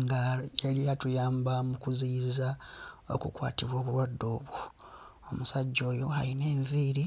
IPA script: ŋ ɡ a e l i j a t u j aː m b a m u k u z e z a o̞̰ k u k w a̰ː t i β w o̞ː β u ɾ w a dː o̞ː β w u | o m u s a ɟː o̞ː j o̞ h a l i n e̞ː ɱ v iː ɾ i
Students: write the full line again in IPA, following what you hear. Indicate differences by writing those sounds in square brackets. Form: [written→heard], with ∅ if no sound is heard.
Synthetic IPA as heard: ŋ ɡ a e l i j a t u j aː m b a m u k u z [e→i] z a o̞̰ k u k w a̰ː t i β w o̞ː β u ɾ w a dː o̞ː β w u | o m u s a ɟː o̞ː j o̞ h a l i n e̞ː ɱ v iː ɾ i